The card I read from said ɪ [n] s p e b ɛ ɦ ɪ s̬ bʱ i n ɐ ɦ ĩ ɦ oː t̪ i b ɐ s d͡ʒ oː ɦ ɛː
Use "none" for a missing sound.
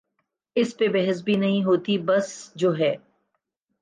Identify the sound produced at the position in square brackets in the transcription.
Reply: none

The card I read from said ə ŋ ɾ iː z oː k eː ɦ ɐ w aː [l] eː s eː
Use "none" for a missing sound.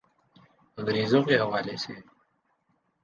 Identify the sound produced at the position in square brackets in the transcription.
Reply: l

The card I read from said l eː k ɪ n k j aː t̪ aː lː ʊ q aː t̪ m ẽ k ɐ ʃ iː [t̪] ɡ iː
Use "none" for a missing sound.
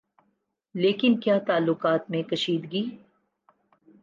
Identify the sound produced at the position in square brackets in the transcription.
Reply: d̪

